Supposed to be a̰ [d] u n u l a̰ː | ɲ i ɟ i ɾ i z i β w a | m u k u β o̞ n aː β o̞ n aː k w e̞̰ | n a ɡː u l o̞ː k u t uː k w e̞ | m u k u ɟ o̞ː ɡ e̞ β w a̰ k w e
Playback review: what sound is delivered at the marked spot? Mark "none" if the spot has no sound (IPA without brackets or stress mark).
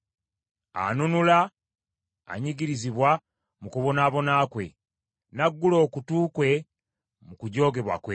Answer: n